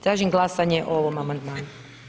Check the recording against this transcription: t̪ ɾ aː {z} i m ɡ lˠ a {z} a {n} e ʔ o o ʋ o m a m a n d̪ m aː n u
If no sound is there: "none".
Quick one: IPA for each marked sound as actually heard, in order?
ʒ, s, ɲ

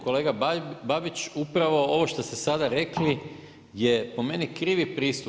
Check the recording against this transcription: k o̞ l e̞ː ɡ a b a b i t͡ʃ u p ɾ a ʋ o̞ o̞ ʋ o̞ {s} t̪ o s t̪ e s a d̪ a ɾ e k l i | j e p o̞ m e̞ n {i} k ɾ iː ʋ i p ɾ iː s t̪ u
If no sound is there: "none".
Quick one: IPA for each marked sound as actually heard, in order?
ʃ, i

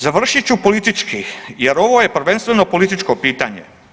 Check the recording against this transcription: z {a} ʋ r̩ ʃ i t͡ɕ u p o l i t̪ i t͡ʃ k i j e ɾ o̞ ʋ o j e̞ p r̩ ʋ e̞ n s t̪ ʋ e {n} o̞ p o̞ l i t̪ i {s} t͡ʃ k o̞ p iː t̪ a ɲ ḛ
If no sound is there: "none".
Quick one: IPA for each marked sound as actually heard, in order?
a, n, none

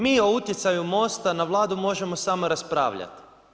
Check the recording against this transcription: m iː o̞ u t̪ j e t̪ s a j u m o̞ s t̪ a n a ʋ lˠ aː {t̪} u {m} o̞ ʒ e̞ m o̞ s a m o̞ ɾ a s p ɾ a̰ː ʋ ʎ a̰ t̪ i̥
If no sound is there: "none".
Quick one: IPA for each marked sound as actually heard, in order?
d̪, m

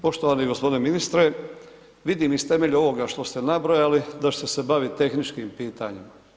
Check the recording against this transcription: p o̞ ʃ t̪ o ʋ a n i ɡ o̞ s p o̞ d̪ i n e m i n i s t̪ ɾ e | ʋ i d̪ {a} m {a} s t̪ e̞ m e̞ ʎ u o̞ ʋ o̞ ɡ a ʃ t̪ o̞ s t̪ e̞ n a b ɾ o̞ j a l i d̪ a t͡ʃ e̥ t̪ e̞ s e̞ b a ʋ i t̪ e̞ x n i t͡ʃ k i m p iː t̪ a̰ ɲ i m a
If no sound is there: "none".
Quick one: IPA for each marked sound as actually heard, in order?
i, i

